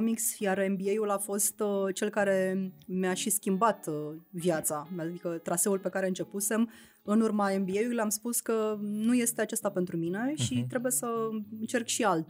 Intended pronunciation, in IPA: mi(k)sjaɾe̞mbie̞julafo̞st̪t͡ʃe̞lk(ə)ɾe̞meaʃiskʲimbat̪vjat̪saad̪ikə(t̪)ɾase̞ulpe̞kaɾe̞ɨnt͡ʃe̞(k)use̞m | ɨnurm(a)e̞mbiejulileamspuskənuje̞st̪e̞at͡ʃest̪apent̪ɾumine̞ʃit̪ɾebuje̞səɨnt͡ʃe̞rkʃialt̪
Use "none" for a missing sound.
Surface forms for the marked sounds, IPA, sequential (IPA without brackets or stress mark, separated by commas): k, a, t̪, p, a